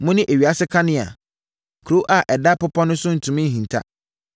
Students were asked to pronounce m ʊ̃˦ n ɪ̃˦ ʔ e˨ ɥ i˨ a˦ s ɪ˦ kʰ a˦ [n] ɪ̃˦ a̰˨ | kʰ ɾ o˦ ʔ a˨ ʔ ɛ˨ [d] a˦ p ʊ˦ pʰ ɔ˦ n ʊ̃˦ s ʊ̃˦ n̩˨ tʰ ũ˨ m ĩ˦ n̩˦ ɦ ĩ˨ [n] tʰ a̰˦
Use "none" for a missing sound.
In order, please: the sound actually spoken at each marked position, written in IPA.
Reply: n, d, n

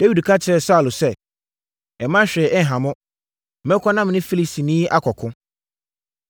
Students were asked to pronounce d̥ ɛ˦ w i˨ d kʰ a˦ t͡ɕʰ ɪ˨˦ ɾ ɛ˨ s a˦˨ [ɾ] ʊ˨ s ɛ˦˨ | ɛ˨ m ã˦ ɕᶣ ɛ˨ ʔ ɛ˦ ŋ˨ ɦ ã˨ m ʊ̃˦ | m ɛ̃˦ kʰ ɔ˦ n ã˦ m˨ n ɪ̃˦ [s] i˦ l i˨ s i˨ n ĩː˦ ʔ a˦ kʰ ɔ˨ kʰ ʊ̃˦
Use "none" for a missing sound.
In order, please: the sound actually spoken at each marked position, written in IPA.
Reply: l, f

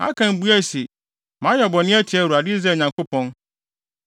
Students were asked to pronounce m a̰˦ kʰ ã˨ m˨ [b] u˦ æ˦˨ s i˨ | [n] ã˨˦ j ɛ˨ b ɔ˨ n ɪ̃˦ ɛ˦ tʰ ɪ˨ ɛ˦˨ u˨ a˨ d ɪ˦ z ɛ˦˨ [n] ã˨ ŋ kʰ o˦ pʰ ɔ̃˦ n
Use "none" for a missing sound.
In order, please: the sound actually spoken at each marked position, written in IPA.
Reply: b, m, ɲ

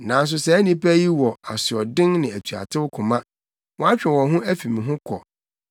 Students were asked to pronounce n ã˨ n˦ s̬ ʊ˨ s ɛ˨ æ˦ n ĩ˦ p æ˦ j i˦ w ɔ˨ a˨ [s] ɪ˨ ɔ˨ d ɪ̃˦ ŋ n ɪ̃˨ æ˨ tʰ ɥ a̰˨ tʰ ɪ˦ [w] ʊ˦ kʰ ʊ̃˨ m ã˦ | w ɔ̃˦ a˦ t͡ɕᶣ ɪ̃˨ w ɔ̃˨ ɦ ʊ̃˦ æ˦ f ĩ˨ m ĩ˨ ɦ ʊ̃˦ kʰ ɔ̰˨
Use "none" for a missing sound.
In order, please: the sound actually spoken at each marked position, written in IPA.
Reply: s, w

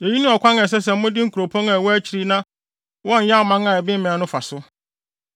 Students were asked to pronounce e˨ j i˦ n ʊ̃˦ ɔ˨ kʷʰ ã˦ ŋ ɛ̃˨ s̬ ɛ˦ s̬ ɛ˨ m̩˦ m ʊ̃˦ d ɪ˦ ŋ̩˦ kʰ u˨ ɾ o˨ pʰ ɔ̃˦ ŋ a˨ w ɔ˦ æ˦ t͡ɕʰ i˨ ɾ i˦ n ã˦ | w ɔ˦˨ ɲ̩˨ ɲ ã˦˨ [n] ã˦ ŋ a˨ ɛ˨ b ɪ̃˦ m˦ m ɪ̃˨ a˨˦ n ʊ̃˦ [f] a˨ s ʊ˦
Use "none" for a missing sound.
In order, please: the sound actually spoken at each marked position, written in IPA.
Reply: m, f

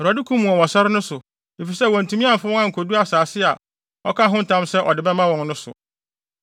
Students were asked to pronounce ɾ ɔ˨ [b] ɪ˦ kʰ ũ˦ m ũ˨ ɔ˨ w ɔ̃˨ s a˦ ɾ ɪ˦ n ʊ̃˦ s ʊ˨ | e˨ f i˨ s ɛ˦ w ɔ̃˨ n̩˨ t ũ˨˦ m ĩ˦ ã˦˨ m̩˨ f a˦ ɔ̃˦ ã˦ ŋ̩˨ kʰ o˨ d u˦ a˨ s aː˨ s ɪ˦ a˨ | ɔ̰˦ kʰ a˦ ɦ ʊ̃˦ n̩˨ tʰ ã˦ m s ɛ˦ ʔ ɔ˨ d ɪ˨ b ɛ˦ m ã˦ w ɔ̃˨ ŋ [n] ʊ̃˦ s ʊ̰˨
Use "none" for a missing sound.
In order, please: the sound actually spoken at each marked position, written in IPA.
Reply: d, n

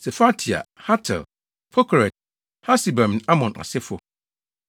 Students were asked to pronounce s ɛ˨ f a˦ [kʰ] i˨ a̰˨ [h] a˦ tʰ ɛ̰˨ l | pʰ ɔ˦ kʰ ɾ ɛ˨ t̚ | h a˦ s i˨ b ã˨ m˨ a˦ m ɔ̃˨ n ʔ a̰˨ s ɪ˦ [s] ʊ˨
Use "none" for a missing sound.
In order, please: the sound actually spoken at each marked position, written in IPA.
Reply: tʰ, h, f

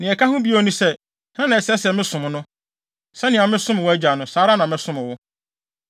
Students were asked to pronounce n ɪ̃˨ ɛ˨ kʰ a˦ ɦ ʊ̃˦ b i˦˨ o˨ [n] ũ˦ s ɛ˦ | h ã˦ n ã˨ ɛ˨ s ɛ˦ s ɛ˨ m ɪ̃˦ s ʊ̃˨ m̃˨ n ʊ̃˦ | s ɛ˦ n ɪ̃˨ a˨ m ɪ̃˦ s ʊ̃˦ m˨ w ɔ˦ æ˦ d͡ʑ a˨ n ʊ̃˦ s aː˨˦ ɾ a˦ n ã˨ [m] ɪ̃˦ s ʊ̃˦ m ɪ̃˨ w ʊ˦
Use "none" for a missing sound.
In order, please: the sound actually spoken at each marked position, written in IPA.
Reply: n, m

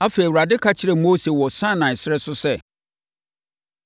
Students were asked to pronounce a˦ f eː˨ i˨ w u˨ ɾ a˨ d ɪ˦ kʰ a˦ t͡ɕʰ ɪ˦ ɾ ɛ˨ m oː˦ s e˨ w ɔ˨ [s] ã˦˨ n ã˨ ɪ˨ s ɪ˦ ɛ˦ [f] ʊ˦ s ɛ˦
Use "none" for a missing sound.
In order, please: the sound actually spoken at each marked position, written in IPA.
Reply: s, s

